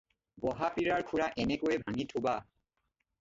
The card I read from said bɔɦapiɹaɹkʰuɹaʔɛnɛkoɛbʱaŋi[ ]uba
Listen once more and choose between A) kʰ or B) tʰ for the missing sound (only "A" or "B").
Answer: B